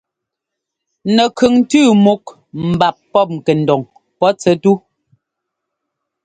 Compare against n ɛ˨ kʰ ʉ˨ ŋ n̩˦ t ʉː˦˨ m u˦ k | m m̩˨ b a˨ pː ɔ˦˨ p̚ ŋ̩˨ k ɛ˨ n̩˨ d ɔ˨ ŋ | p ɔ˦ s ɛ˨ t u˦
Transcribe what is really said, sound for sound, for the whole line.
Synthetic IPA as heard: n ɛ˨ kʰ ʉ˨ ŋ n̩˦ t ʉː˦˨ m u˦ k | m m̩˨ b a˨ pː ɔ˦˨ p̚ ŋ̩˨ k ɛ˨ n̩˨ d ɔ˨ ŋ | p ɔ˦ t͡s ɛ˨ t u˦